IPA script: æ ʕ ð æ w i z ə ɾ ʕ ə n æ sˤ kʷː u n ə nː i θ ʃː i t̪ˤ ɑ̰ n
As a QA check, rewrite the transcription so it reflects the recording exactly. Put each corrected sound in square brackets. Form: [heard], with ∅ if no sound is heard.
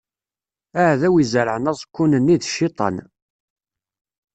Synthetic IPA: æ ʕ ð æ w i z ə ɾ ʕ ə n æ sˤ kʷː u n ə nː i [ð] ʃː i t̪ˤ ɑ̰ n